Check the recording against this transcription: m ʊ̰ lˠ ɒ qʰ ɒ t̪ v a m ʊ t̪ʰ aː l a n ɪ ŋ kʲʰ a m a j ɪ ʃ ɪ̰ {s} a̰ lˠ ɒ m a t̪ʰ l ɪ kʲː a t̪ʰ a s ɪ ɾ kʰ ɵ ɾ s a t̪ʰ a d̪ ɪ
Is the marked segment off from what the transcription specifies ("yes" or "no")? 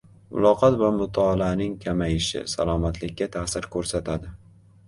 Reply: no